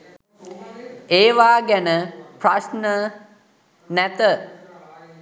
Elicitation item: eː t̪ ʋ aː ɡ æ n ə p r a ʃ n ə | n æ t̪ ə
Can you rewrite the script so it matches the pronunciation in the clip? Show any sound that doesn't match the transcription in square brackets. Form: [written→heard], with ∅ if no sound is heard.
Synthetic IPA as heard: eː [t̪→∅] ʋ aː ɡ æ n ə p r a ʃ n ə | n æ t̪ ə